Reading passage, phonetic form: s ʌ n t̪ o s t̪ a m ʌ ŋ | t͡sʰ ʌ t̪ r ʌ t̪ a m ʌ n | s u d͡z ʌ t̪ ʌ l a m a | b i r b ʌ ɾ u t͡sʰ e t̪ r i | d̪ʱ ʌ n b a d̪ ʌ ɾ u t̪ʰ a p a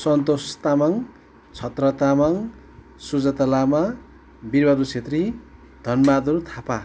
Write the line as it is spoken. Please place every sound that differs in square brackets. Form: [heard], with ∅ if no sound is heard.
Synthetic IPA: s ʌ n t̪ o s t̪ a m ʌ ŋ | t͡sʰ ʌ t̪ r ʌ t̪ a m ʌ [ŋ] | s u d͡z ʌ t̪ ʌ l a m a | b i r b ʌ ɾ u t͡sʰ e t̪ r i | d̪ʱ ʌ n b a d̪ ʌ ɾ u t̪ʰ a p a